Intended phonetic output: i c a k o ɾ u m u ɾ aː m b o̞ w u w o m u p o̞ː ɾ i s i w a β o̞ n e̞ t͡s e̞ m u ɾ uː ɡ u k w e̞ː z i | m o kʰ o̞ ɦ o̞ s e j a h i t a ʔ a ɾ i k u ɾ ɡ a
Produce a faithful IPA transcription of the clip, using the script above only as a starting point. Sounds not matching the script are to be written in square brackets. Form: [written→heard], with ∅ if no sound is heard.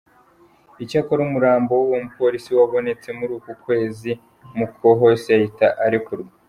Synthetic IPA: i c a k o ɾ u m u ɾ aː m b o̞ w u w o m u p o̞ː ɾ i s i w a β o̞ n e̞ t͡s e̞ m u ɾ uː [ɡ→k] u k w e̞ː z i | m [o→u] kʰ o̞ ɦ o̞ s e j a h i t a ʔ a ɾ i k u ɾ ɡ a